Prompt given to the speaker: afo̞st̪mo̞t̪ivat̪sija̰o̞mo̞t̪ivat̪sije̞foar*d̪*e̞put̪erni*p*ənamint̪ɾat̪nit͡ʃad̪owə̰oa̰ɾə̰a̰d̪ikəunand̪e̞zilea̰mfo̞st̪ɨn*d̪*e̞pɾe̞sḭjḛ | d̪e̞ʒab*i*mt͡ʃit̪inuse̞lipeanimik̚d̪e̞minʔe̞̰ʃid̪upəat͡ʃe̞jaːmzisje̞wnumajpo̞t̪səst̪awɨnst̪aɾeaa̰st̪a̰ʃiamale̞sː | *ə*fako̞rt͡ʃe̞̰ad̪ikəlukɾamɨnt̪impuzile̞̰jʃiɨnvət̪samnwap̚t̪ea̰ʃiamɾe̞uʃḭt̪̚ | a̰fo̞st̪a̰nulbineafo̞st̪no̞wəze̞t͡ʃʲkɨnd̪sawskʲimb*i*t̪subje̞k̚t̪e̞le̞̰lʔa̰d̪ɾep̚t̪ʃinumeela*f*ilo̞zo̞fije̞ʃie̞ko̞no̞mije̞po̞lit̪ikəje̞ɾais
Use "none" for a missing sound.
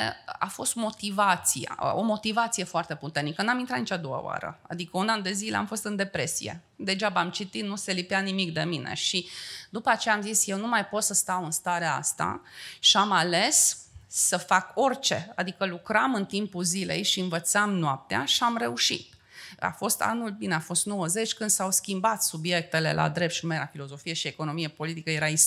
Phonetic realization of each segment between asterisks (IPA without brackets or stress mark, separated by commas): t̪, k, d̪, a, ə, a, f